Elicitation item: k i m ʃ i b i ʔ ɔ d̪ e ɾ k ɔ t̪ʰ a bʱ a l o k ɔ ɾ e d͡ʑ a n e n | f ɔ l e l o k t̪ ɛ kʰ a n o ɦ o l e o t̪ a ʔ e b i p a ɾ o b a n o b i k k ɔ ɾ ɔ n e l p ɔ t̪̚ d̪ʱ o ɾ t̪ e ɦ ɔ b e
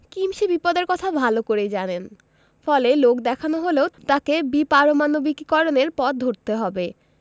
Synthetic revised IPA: k i m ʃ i b i p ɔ d̪ e ɾ k ɔ t̪ʰ a bʱ a l o k o ɾ e d͡ʑ a n e n | f ɔ l e l o k d̪ ɛ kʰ a n o ɦ o l e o t̪ a k e b i p a ɾ o m a n o b i k k ɔ ɾ o n e ɾ p ɔ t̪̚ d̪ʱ o ɾ t̪ e ɦ ɔ b e